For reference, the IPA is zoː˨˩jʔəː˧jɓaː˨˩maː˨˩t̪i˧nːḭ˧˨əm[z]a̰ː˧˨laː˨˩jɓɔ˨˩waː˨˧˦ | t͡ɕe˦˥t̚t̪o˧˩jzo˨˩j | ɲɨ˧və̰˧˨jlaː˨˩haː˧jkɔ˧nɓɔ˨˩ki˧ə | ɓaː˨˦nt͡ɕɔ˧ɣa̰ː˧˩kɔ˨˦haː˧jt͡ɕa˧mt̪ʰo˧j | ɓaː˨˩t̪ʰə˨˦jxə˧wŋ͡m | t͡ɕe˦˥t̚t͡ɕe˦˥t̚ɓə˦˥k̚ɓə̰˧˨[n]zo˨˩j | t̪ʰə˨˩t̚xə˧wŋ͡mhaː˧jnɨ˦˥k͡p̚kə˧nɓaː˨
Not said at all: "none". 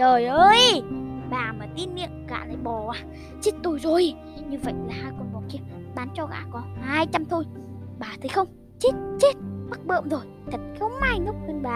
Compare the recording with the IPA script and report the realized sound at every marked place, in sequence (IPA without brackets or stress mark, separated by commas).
ɣ, m